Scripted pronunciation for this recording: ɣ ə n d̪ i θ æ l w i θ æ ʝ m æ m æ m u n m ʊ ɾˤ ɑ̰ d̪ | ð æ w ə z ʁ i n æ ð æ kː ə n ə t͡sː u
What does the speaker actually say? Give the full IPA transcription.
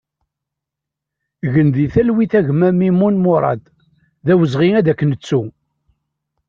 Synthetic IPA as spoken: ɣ ə n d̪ i θ æ l w i θ æ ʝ m æ m i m u n m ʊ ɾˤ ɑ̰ d̪ | ð æ w ə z ʁ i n æ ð æ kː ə n ə t͡sː u